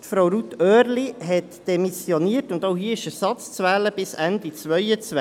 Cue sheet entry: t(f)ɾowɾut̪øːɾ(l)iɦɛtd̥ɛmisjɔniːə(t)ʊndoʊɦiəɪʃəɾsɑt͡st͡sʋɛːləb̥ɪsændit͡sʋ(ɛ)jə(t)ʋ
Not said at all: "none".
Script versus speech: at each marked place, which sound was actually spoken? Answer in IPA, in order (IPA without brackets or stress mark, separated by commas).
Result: f, l, t, œ, t͡s